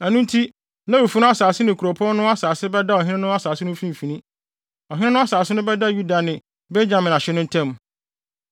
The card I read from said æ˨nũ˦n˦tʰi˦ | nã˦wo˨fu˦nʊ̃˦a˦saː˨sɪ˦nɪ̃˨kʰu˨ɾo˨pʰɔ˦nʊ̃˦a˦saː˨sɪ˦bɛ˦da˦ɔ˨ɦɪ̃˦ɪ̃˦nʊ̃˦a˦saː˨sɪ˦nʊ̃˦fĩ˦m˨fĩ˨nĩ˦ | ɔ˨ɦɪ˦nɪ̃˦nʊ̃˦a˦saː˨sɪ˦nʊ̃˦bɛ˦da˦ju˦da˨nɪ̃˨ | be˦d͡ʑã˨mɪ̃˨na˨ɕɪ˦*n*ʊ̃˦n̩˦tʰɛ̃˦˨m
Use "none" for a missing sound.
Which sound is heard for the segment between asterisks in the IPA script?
n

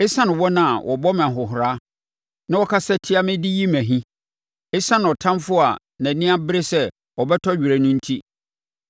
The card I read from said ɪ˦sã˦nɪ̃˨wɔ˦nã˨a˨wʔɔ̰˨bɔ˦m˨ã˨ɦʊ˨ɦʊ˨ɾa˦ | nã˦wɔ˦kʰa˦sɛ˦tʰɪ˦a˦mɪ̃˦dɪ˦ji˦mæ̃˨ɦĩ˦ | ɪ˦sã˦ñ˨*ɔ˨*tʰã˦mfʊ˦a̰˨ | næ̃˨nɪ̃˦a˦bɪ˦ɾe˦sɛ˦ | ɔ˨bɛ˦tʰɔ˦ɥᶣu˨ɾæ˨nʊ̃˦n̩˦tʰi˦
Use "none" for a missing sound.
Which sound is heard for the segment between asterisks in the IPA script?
ɔ˨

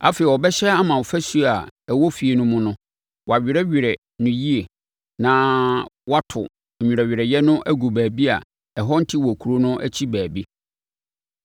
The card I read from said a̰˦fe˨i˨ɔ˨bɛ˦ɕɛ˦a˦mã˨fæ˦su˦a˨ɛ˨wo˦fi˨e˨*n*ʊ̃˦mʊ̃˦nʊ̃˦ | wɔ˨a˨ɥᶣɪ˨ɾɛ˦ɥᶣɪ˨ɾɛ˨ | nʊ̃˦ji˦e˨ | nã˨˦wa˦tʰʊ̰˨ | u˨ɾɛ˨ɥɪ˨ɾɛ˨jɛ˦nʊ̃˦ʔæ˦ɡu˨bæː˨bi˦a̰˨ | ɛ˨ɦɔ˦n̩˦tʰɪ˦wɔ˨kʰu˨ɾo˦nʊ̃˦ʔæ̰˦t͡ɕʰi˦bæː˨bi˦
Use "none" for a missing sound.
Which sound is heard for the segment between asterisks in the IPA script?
n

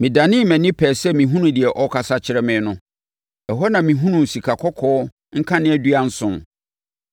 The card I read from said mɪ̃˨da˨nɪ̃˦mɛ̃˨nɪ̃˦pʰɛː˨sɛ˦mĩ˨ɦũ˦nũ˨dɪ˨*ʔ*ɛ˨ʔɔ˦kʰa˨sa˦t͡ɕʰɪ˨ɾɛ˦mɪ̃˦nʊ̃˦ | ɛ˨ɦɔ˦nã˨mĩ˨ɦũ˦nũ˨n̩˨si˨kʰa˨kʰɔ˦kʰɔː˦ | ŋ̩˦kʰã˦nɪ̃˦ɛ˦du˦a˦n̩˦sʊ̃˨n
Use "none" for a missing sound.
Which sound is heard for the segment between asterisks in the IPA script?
none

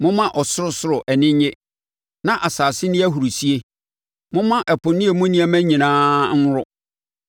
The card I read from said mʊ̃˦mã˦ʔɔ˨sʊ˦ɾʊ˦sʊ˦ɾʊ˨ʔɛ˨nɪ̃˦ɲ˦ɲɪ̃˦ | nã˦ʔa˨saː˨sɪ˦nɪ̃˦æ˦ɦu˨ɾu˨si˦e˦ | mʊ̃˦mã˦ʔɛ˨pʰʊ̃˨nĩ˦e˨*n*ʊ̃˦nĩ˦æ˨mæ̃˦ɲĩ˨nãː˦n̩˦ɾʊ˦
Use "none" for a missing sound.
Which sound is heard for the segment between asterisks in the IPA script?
m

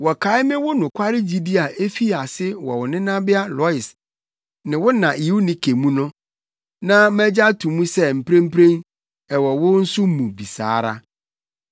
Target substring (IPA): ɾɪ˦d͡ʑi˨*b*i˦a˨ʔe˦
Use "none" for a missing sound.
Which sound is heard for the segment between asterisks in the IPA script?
d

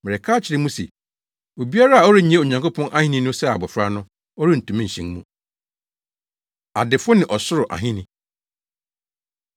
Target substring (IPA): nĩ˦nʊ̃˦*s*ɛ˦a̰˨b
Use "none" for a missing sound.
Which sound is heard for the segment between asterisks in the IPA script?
s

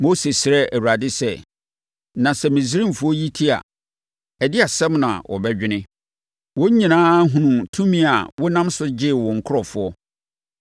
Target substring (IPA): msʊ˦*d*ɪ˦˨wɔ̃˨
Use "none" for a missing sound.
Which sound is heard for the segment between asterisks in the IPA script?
d͡ʑ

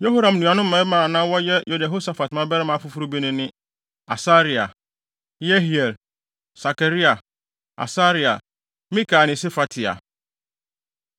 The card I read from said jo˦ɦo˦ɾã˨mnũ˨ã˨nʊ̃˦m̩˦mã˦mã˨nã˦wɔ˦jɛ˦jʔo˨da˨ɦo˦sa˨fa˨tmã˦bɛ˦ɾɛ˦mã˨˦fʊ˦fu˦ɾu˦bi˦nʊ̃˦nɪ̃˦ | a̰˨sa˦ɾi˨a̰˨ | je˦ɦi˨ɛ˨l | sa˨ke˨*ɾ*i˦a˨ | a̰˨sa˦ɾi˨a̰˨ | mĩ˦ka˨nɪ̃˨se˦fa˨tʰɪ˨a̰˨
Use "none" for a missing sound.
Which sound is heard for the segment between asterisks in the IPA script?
ɾ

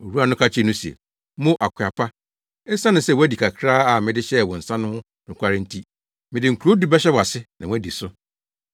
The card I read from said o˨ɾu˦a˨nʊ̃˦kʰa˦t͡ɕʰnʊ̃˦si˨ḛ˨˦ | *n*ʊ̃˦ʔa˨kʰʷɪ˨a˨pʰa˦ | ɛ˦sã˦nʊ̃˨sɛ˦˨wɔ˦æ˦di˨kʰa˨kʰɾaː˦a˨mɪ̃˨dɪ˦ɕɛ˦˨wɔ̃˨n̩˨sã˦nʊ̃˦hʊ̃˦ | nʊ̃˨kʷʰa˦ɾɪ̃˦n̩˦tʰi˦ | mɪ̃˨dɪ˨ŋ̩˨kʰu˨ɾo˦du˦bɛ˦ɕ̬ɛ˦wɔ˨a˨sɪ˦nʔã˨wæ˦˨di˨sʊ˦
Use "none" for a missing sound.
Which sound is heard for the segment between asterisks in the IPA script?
m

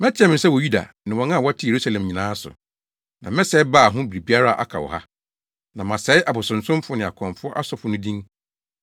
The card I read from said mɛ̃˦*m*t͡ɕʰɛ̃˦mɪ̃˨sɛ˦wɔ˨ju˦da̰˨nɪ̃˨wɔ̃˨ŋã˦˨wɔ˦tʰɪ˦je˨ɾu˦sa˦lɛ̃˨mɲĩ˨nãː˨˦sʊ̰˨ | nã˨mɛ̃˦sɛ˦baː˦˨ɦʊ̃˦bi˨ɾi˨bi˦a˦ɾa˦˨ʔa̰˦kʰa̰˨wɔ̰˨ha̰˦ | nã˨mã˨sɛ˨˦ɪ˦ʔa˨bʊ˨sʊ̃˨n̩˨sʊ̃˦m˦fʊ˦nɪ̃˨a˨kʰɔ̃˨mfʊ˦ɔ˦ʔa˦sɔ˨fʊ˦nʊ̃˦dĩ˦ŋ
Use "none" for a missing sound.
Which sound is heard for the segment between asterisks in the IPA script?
none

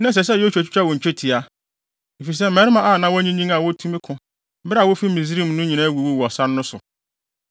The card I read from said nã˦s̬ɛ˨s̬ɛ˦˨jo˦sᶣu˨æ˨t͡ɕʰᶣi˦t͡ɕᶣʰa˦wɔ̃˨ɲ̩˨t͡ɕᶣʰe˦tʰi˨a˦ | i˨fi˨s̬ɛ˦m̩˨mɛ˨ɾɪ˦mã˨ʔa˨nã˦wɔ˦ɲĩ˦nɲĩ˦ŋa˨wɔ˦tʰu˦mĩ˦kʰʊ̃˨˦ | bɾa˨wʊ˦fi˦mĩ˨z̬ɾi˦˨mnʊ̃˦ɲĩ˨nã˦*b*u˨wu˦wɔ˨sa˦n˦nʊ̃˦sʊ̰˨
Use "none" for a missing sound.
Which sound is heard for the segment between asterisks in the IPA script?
w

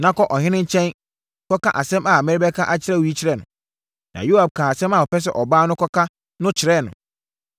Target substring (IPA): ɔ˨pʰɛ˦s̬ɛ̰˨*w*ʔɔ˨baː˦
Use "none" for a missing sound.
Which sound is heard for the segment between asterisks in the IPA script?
none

